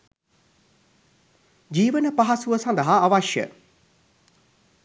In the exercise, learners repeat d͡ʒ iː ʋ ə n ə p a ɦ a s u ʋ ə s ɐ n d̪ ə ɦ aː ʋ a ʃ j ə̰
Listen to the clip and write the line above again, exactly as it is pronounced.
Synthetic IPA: d͡ʒ iː ʋ ə n ə p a ɦ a s u ʋ ə s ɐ n d̪ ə ɦ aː ʋ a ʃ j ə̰